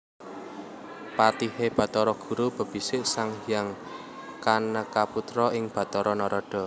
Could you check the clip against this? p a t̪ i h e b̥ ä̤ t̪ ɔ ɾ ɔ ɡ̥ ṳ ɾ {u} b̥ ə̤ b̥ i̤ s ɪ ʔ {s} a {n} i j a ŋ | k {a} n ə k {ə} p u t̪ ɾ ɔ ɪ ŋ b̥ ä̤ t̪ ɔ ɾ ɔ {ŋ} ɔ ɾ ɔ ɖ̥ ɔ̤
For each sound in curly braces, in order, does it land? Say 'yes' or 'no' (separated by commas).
yes, yes, no, yes, no, no